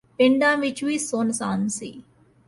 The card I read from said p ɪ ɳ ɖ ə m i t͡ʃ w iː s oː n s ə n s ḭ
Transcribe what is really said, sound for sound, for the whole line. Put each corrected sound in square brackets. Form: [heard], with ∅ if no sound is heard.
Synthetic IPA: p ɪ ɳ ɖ [a] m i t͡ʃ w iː s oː n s [a] n s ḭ